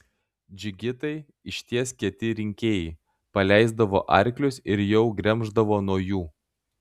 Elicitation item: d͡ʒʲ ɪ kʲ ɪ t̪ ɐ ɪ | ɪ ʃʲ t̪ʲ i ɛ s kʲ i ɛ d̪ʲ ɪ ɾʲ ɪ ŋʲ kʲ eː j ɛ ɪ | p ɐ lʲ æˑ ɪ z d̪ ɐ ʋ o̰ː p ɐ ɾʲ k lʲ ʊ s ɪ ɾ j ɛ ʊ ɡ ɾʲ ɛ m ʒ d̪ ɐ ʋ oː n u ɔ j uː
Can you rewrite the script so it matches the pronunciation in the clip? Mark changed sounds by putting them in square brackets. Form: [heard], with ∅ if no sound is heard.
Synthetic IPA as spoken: d͡ʒʲ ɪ [ɡʲ] ɪ t̪ ɐ ɪ | ɪ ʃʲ t̪ʲ i ɛ s kʲ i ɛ [t̪ʲ] ɪ ɾʲ ɪ ŋʲ kʲ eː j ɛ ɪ | p ɐ lʲ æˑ ɪ z d̪ ɐ ʋ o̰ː [ʔ] ɐ ɾʲ k lʲ ʊ s ɪ ɾ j ɛ ʊ ɡ ɾʲ ɛ m ʒ d̪ ɐ ʋ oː n u ɔ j uː